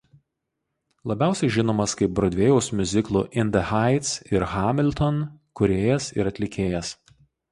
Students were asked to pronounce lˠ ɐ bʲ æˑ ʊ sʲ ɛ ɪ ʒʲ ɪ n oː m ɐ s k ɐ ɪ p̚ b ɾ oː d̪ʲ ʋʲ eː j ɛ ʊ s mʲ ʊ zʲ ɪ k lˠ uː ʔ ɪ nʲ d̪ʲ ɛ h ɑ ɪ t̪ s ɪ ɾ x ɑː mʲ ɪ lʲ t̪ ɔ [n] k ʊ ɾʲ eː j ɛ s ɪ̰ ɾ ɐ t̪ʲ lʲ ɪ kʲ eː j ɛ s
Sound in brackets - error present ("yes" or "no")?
no